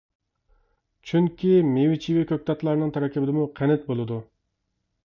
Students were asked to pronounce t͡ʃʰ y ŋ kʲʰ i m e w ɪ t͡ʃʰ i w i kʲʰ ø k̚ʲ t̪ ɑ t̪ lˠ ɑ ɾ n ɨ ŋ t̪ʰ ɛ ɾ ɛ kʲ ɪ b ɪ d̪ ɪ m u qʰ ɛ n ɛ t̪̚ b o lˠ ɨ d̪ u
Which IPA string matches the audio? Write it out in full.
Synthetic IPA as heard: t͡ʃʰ y ŋ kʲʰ i m e w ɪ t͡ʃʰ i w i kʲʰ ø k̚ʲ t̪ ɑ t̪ lˠ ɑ ɾ n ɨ ŋ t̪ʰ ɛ ɾ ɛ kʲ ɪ b ɪ d̪ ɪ m u qʰ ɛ n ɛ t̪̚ b o lˠ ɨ d̪ u

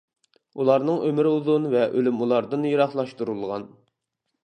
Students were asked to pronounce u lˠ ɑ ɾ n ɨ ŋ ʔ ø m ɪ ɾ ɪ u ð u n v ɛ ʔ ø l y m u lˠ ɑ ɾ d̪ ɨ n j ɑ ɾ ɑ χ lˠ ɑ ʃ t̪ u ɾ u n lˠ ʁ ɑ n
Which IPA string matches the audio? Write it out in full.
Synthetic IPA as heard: u lˠ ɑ ɾ n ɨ ŋ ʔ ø m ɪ ɾ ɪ u ð u n v ɛ ʔ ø l y m u lˠ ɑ ɾ d̪ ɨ n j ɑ ɾ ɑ χ lˠ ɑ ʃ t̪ u ɾ u lˠ ʁ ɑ n

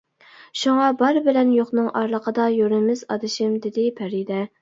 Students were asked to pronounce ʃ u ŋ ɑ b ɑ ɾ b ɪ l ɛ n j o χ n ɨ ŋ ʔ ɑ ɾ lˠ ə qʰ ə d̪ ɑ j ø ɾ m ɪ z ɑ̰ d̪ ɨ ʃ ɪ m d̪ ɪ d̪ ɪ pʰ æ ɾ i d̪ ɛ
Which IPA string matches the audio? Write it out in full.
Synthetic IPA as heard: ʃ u ŋ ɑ b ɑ ɾ b ɪ l ɛ n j o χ n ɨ ŋ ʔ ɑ ɾ lˠ ə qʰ ə d̪ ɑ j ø ɾ m ɪ z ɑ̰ d̪ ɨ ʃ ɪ m d̪ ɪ d̪ ɪ pʰ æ ɾ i d̪ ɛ

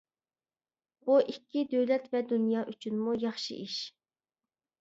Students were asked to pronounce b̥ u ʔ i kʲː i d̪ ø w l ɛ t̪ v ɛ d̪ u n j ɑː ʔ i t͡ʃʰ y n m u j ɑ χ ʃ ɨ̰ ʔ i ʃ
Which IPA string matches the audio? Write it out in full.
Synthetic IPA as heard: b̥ u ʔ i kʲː i d̪ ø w l ɛ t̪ v ɛ d̪ u n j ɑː ʔ y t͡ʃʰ y n m u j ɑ χ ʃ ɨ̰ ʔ i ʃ

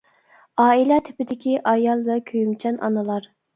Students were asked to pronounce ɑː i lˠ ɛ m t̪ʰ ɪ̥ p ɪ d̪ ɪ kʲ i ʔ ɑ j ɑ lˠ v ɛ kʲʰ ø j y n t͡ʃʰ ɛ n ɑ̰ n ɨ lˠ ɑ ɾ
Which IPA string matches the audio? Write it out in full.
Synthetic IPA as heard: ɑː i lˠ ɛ t̪ʰ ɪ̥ p ɪ d̪ ɪ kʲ i ʔ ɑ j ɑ lˠ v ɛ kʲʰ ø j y m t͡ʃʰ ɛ n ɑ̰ n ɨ lˠ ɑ ɾ

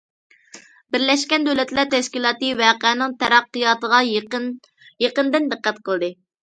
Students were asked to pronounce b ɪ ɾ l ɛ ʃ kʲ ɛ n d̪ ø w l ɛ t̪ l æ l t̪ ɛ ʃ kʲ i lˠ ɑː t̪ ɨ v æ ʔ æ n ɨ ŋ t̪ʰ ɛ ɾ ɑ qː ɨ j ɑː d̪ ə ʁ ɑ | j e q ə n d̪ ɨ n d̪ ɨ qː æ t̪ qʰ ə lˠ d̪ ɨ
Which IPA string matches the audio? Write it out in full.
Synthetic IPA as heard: b ɪ ɾ l ɛ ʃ kʲ ɛ n d̪ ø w l ɛ t̪ l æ ɾ t̪ ɛ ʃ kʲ i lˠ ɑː t̪ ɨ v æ q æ n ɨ ŋ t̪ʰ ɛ ɾ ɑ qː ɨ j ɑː t̪ ə ʁ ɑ | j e q ə n d̪ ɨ n d̪ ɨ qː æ t̪ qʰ ə lˠ d̪ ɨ

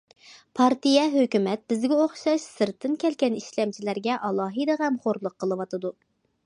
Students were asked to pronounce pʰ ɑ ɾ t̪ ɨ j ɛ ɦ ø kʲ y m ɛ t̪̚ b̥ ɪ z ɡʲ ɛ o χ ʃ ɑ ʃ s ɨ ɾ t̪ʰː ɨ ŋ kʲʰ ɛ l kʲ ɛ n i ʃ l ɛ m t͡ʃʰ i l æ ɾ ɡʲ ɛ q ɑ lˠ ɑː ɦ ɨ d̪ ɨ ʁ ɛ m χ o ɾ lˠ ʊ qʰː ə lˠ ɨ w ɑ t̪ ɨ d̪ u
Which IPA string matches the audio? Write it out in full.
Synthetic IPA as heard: pʰ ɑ ɾ t̪ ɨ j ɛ ɦ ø kʲ y m ɛ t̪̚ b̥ ɪ z ɡʲ ɛ o χ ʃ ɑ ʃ s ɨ ɾ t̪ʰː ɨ n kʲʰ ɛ l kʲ ɛ n i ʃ l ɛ m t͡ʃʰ i l æ ɾ ɡʲ ɛ ʔ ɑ lˠ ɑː ɦ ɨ d̪ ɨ ʁ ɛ m χ o ɾ lˠ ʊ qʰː ə lˠ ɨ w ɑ t̪ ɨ d̪ u

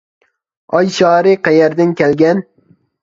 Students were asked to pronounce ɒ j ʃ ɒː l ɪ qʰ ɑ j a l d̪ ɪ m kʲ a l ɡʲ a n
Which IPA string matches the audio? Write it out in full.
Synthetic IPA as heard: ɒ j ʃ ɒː ɾ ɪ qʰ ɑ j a ɾ d̪ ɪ n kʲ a l ɡʲ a n

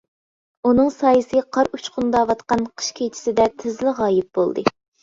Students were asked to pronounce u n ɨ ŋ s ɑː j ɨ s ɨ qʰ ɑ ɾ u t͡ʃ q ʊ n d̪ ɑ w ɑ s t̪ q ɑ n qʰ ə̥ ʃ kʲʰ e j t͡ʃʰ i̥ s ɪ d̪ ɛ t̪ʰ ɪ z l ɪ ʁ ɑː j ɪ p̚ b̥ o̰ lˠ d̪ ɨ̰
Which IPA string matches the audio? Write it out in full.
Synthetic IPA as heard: u n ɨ ŋ s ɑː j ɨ s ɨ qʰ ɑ ɾ u t͡ʃ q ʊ n d̪ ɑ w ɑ t̪ q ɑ n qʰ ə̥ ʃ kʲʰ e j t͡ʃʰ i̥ s ɪ d̪ ɛ t̪ʰ ɪ z l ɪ ʁ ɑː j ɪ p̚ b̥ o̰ lˠ d̪ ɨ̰

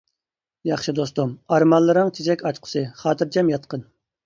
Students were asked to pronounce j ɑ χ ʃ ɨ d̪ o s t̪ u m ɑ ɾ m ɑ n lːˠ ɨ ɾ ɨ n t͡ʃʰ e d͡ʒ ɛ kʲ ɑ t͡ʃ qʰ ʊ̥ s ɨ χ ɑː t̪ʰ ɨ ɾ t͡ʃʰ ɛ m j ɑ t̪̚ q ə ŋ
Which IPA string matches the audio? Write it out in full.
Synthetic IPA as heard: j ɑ χ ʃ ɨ d̪ o s t̪ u m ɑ ɾ m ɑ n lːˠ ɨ ɾ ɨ ŋ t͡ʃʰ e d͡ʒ ɛ kʲ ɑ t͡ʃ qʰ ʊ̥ s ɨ χ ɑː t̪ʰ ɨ ɾ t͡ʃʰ ɛ m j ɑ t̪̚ q ə n

